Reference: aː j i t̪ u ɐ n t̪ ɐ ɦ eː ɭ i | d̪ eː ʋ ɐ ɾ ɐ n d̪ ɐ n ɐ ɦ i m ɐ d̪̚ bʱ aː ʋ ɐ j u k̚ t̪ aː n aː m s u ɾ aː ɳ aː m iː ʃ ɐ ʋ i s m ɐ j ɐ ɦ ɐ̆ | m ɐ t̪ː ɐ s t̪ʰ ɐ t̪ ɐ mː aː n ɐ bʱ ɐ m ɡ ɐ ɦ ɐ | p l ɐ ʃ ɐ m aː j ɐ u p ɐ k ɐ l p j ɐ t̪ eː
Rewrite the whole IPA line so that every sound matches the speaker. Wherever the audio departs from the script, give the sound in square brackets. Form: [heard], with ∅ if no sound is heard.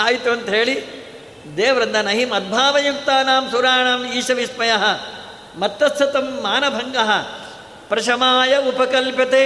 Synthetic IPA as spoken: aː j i t̪ u ɐ n t̪ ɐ ɦ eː ɭ i | d̪ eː ʋ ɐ ɾ ɐ n d̪ ɐ n ɐ ɦ i m ɐ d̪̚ bʱ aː ʋ ɐ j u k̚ t̪ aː n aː m s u ɾ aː ɳ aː m iː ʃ ɐ ʋ i s m ɐ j ɐ ɦ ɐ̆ | m ɐ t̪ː ɐ s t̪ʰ ɐ t̪ ɐ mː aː n ɐ bʱ ɐ [ŋ] ɡ ɐ ɦ ɐ | p [ɾ] ɐ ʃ ɐ m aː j ɐ u p ɐ k ɐ l p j ɐ t̪ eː